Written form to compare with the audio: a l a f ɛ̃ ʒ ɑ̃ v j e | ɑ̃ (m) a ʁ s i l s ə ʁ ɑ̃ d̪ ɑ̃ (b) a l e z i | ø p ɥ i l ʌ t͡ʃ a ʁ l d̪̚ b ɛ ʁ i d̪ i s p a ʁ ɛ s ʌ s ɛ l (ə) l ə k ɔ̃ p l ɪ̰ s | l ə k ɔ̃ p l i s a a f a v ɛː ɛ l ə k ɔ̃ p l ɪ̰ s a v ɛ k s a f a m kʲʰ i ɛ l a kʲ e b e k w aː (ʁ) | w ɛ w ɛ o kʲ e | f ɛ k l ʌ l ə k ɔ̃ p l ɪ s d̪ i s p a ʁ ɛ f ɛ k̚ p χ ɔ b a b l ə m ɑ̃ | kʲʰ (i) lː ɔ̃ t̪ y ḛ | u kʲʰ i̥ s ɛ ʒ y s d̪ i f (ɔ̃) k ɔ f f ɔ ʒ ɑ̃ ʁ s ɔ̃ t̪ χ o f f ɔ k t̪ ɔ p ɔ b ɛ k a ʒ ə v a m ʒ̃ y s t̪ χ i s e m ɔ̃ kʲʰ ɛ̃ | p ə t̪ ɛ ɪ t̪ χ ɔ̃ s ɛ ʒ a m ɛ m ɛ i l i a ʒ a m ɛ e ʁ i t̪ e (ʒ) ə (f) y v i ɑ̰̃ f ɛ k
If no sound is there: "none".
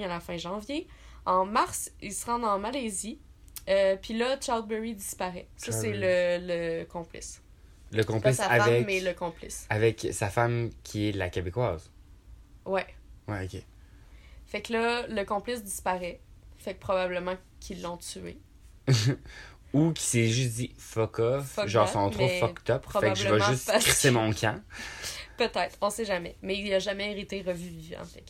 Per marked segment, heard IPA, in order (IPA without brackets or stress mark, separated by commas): m, m, ə, z, i, ɔ, ʁ, v